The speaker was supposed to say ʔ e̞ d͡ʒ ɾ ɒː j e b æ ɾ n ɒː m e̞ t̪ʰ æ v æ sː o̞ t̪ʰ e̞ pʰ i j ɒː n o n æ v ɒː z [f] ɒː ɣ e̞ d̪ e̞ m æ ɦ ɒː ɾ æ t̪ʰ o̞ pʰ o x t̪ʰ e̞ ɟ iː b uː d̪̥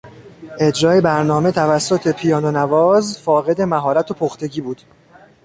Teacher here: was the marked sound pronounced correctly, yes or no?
yes